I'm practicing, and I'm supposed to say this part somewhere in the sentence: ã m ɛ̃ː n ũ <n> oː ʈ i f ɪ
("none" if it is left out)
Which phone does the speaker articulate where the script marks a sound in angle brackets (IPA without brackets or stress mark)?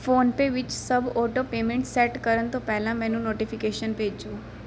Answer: n